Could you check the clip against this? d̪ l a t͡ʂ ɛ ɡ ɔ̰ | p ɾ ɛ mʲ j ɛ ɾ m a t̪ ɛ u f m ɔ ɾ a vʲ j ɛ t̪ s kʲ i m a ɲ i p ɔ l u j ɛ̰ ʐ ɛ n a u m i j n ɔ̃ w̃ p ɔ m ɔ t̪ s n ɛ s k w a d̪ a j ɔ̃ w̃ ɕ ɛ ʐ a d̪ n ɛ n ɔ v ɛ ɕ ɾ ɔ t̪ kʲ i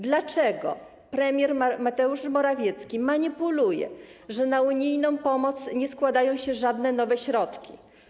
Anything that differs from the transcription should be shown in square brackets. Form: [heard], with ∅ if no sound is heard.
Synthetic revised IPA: d̪ l a t͡ʂ ɛ ɡ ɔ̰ | p ɾ ɛ mʲ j ɛ ɾ m a t̪ ɛ u [ʂ] m ɔ ɾ a vʲ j ɛ t̪ s kʲ i m a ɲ i p [u] l u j ɛ̰ ʐ ɛ n a u [ɲ] i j n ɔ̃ w̃ p ɔ m ɔ t̪ s [ɲ] ɛ s k w a d̪ a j ɔ̃ w̃ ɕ ɛ ʐ a d̪ n ɛ n ɔ v ɛ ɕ ɾ ɔ t̪ kʲ i